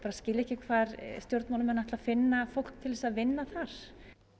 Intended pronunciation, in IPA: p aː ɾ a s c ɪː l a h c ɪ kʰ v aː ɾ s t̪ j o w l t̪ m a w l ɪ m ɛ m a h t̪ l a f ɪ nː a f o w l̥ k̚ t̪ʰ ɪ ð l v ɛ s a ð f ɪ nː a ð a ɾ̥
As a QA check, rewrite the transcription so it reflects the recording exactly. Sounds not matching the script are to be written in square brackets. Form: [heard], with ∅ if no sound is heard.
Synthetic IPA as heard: p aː ɾ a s c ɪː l [ɛ] h c ɪ kʰ v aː ɾ s t̪ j o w [ɾ] t̪ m a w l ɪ m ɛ [n] a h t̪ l a f ɪ nː a f o w l̥ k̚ t̪ʰ ɪ [∅] l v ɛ s a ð [v] ɪ nː a [θ] a ɾ̥